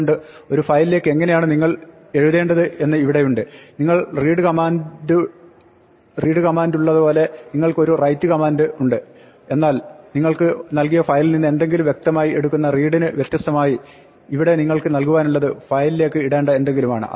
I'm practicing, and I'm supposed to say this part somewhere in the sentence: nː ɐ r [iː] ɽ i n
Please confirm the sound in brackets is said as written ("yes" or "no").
yes